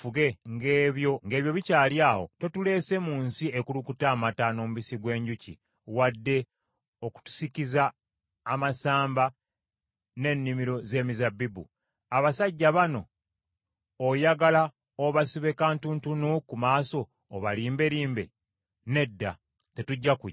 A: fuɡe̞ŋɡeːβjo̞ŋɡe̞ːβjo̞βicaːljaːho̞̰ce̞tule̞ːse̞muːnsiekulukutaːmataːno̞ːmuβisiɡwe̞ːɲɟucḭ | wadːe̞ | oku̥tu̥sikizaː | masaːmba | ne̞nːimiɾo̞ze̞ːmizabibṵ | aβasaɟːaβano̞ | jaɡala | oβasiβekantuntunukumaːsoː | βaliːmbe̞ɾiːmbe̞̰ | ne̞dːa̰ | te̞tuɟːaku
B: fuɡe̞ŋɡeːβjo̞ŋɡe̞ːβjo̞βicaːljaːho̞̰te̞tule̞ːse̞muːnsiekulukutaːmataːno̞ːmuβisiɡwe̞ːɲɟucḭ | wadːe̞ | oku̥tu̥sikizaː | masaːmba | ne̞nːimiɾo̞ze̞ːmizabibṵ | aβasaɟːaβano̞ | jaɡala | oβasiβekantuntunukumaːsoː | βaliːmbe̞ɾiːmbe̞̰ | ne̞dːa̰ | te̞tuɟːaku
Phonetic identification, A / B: B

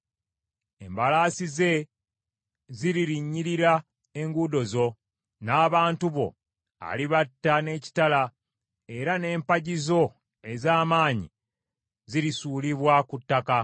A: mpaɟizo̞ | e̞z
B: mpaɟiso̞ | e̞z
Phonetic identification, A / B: A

